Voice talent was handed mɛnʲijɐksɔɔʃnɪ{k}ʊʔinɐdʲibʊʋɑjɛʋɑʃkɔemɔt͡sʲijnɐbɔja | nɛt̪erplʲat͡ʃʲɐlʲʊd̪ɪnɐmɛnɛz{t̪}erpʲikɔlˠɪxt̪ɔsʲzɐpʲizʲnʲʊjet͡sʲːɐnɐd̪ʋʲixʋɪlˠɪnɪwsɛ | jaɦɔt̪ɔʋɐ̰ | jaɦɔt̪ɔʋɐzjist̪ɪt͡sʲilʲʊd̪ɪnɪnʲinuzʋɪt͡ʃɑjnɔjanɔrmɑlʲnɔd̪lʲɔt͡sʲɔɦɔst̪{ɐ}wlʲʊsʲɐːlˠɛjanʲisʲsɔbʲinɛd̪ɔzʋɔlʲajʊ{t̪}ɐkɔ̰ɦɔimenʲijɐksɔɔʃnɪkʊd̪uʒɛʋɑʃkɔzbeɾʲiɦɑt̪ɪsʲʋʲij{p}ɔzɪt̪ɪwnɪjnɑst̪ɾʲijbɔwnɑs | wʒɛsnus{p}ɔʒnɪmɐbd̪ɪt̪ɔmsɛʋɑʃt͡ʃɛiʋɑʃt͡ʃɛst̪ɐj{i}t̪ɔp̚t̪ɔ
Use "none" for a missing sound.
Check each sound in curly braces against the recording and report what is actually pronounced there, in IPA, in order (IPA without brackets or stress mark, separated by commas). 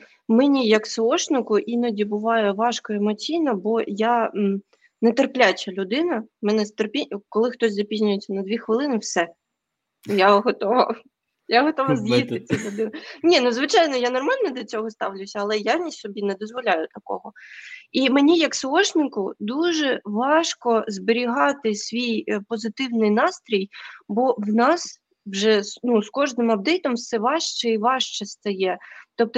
k, t̪, ɑ, t̪, p, k, ɛ